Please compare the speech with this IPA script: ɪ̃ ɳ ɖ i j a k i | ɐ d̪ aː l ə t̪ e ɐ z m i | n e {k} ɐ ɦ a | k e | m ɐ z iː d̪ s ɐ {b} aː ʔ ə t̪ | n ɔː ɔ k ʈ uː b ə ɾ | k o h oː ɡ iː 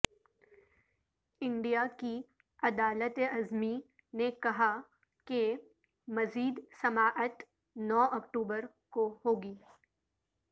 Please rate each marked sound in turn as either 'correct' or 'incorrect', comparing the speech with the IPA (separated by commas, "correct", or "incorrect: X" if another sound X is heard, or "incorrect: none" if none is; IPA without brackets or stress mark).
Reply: correct, incorrect: m